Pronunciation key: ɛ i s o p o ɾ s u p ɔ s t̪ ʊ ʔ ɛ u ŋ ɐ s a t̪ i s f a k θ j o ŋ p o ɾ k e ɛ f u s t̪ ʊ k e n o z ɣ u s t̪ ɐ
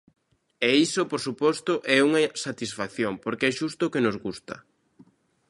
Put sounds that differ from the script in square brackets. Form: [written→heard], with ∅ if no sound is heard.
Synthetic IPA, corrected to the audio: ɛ i s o p o ɾ s u p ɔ s t̪ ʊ ʔ ɛ u ŋ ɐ s a t̪ i s f a k θ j o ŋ p o ɾ k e ɛ [f→ʃ] u s t̪ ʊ k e n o z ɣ u s t̪ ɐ